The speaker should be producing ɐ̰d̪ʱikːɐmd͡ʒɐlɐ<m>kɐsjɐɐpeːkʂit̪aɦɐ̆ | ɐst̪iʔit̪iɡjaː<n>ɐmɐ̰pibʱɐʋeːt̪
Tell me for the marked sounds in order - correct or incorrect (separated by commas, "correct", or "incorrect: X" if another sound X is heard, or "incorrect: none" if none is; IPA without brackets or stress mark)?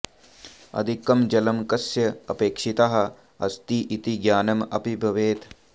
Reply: correct, correct